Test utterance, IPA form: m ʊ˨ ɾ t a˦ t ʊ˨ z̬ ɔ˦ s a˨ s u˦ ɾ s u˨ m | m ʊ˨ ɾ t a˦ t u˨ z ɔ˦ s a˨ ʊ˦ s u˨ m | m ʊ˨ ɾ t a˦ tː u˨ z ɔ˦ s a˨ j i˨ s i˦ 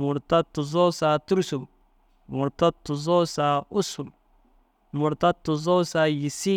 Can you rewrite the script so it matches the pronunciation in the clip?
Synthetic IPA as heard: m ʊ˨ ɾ t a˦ t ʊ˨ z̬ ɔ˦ s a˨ t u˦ ɾ s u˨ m | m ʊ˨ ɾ t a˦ t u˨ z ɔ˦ s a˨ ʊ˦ s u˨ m | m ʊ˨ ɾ t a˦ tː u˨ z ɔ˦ s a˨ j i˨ s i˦